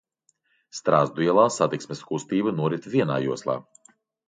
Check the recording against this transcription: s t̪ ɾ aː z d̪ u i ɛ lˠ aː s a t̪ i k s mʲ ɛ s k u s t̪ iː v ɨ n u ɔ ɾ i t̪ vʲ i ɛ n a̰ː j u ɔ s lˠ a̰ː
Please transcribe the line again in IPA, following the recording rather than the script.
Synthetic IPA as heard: s t̪ ɾ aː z d̪ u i ɛ lˠ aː s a t̪ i k s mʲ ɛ s k u s t̪ iː b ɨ n u ɔ ɾ i t̪ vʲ i ɛ n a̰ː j u ɔ s lˠ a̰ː

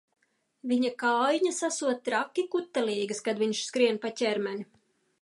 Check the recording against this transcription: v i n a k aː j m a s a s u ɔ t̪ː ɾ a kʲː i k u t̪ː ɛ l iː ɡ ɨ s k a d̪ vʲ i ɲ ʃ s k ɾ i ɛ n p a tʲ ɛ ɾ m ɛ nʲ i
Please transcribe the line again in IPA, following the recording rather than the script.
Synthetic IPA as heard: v i ɲ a k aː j ɲ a s a s u ɔ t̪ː ɾ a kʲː i k u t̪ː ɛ l iː ɡ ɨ s k a d̪ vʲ i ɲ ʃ s k ɾ i ɛ n p a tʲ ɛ ɾ m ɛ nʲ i

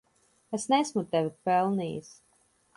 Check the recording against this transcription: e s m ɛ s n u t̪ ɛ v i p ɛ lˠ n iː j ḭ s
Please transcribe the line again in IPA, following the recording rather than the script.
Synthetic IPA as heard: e s n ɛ s m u t̪ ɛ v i p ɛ lˠ n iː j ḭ s

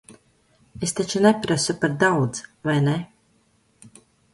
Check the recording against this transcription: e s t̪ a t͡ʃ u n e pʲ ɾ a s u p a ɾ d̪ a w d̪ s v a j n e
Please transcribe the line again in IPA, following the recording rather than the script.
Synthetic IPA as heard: e s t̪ a t͡ʃ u n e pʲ ɾ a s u p a ɾ d̪ a w d̪ z v a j n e

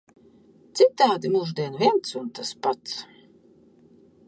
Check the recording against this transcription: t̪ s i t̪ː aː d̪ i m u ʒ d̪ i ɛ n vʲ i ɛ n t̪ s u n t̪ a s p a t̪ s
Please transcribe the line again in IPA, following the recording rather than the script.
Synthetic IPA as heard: t̪ s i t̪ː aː d̪ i m u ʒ d̪ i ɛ n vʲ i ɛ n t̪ s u n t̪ a s p a t̪ s

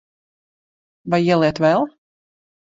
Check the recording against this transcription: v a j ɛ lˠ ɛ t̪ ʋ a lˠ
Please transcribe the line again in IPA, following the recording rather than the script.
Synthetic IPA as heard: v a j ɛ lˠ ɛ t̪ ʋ ɛ lˠ

